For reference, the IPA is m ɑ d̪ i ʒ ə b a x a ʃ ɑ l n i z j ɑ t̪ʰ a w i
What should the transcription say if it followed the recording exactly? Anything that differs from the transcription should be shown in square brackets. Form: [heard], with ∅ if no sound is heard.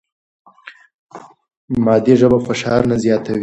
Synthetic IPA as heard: m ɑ d̪ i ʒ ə b a [f] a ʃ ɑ [ɾ] n [a] z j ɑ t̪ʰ a w i